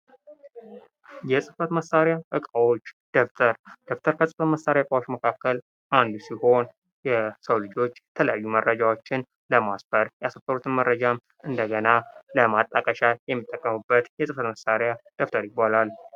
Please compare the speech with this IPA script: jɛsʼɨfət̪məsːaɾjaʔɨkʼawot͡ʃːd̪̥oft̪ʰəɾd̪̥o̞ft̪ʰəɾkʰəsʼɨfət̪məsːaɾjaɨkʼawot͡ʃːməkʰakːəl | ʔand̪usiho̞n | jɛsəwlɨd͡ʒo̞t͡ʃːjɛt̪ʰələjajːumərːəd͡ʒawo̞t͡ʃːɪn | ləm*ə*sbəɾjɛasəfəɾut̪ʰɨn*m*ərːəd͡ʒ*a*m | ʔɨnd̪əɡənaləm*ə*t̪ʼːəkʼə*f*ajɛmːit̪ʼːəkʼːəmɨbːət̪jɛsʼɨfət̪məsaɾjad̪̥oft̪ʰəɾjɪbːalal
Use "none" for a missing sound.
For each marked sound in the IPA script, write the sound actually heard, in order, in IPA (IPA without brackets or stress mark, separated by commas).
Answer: a, m, a, a, ʃ